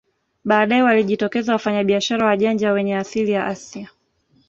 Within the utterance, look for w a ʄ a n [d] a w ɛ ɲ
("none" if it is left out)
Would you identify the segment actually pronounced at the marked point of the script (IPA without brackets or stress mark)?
d͡ʒ